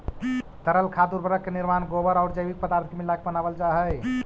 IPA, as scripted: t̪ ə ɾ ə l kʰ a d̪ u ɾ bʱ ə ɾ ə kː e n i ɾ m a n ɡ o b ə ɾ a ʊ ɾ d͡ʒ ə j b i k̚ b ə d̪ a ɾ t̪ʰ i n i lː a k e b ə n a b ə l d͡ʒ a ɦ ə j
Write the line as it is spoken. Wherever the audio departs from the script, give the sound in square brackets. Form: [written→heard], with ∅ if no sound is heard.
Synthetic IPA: t̪ ə ɾ ə l kʰ a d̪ u ɾ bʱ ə ɾ ə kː e n i ɾ m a n ɡ o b ə ɾ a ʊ ɾ d͡ʒ ə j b i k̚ [b→p] ə d̪ a ɾ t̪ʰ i [n→m] i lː a k e b ə n a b ə l d͡ʒ a ɦ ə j